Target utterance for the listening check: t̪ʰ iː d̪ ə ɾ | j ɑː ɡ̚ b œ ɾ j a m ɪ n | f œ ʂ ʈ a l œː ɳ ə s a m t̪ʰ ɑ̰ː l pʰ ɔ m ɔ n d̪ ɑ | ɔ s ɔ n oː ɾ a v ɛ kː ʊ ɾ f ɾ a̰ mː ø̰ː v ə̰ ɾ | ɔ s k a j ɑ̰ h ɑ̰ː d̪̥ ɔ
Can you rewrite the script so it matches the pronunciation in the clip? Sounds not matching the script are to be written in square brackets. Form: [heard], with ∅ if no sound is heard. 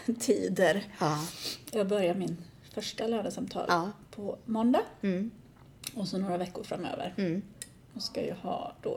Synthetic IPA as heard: t̪ʰ iː d̪ ə ɾ | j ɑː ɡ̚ b œ ɾ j a m ɪ n | f œ ʂ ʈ a l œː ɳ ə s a m t̪ʰ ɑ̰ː l pʰ ɔ m ɔ n d̪ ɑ | ɔ s ɔ n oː ɾ a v ɛ kː ʊ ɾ f ɾ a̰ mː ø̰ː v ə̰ ɾ | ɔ s k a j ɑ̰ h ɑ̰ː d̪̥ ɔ